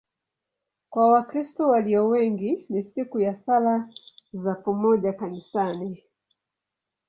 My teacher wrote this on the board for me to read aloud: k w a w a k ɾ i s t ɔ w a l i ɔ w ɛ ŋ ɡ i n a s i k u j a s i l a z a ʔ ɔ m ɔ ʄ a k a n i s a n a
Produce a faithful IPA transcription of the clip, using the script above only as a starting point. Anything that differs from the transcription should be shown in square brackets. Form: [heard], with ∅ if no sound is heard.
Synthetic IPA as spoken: k w a w a k ɾ i s t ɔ w a l i ɔ w ɛ ŋ ɡ i n [i] s i k u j a s [a] l a z a [p] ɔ m ɔ ʄ a k a n i s a n [i]